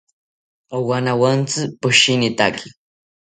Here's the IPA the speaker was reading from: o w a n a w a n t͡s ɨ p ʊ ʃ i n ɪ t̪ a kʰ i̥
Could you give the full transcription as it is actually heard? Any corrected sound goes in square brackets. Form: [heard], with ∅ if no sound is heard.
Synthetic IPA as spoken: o w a n a w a n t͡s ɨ p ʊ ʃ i n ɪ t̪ a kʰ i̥